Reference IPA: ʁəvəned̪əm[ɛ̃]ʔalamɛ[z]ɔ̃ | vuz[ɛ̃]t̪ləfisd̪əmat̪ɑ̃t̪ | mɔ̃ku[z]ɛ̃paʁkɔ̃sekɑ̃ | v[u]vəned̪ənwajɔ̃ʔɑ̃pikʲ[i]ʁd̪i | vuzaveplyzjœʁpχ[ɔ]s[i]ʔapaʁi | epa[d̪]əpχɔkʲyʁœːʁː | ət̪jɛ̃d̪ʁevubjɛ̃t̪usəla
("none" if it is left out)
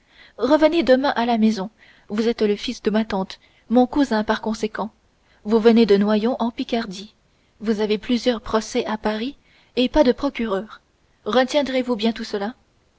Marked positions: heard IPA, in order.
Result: ɛ̃, z, ɛ, z, u, a, ɔ, ɛ, d̪

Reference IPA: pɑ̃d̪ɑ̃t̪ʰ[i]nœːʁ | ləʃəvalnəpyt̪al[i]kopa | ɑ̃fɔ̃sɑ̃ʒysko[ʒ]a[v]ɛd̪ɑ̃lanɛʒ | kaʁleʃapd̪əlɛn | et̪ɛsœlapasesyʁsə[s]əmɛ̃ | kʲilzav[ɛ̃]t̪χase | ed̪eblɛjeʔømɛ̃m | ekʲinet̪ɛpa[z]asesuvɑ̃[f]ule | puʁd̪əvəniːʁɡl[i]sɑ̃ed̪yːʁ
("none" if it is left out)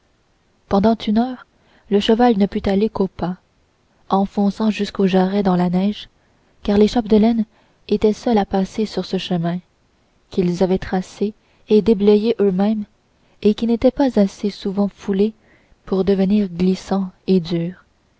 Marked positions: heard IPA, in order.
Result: y, e, ʒ, ʁ, ʃ, ɛ, z, f, i

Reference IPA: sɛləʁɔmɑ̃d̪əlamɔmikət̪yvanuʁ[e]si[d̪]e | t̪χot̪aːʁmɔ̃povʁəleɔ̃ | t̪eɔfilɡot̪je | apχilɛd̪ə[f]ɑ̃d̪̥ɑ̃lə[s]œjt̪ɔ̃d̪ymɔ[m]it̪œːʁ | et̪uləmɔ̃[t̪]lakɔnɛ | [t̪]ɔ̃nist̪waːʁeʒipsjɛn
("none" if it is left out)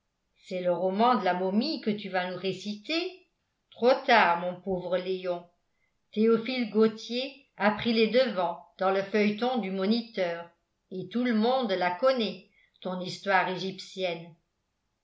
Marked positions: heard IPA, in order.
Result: e, t̪, v, f, n, d̪, t̪

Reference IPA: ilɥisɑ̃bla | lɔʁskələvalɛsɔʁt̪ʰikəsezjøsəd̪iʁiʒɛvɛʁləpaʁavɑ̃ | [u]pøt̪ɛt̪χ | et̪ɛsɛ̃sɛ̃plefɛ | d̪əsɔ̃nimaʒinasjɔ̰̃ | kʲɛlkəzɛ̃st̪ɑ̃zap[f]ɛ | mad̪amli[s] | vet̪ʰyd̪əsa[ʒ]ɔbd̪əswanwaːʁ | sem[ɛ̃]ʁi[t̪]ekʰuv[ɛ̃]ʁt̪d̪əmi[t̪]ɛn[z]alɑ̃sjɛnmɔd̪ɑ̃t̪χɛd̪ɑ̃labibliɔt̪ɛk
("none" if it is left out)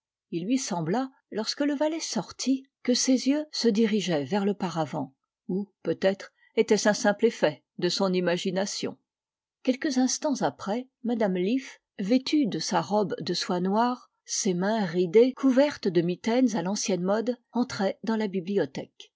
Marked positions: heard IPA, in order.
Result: u, χ, f, ʁ, ɛ̃, d̪, ɛ, t̪, z

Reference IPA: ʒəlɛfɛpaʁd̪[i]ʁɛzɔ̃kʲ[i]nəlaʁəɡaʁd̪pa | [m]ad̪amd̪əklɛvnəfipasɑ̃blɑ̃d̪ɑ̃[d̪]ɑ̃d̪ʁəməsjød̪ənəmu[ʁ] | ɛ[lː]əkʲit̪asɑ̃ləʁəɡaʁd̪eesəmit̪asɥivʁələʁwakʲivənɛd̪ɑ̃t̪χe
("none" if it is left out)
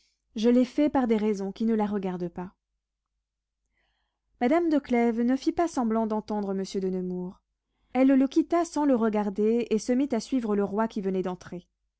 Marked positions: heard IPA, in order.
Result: e, i, m, t̪, ʁ, lː

